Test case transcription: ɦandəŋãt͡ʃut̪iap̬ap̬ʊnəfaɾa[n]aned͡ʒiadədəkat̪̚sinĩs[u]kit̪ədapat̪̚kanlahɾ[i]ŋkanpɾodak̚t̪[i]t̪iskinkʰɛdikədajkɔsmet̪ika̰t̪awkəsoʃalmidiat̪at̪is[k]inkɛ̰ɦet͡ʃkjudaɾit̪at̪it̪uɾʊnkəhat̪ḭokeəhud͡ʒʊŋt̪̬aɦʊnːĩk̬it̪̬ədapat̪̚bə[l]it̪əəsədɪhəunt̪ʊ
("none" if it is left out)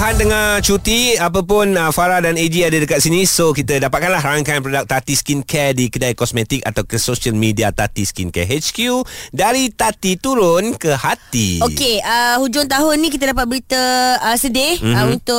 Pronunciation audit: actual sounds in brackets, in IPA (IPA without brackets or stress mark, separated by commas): d, o, a, a, k, ɾ